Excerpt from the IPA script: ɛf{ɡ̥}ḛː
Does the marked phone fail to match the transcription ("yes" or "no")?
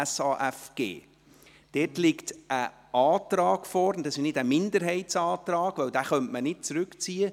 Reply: no